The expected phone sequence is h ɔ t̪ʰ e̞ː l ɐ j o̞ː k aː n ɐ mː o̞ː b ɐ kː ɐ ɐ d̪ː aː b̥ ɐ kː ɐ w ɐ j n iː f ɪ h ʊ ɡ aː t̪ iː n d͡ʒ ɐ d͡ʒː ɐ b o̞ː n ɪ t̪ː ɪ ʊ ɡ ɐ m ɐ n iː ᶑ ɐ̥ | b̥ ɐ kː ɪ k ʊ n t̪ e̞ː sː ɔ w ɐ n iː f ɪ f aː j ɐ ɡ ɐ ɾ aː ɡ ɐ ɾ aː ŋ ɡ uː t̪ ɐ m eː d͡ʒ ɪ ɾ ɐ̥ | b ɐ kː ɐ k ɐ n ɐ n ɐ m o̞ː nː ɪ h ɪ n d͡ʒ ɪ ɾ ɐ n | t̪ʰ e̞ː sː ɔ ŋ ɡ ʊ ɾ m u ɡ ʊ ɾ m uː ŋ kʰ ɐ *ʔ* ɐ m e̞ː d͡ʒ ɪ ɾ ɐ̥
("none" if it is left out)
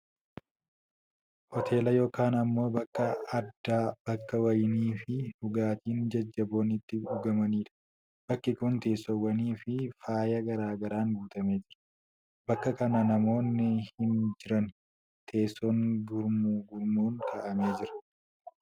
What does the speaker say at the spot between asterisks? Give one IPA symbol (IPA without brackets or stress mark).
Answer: ʔ